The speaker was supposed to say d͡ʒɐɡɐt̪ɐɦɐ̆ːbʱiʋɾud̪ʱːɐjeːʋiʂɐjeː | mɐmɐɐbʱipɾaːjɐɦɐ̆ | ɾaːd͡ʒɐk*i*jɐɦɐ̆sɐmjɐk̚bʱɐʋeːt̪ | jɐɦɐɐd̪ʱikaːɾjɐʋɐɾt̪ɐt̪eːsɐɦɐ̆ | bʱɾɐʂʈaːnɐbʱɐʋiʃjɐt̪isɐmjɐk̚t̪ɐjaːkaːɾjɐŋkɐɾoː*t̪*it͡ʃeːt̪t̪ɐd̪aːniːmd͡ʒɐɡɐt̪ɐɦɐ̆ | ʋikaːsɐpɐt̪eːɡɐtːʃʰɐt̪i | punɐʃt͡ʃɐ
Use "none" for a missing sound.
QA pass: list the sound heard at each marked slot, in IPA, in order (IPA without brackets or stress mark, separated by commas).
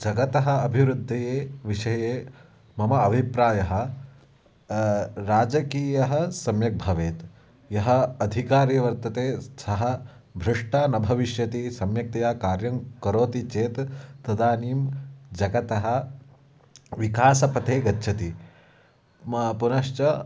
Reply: iː, t̪